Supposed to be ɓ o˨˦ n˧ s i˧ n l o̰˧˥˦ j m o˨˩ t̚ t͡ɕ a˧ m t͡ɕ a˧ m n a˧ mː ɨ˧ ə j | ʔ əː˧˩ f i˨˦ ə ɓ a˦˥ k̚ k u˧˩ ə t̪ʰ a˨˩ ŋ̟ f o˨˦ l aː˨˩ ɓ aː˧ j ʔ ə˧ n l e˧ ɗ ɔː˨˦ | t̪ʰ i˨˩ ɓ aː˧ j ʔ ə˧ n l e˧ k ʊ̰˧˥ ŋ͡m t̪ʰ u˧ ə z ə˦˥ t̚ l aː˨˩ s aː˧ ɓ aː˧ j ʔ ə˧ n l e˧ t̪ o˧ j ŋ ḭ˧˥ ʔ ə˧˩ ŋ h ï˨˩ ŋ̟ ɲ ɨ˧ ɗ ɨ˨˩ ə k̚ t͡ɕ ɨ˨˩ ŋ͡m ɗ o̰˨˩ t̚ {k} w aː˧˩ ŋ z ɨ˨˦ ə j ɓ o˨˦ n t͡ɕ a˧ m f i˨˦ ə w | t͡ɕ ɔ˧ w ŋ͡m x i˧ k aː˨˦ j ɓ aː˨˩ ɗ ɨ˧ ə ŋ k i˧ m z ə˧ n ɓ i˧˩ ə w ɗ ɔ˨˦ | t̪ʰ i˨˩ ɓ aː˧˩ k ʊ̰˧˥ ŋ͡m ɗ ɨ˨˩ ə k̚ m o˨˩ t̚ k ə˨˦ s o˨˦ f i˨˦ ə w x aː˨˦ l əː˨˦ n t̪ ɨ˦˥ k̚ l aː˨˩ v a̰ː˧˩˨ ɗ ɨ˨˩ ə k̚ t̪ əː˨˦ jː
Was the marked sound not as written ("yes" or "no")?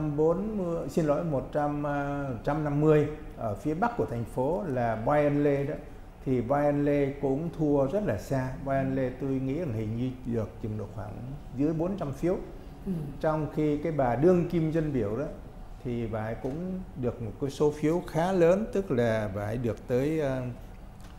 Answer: yes